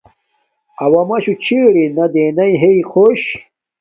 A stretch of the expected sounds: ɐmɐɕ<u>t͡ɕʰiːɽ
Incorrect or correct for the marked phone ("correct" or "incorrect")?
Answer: correct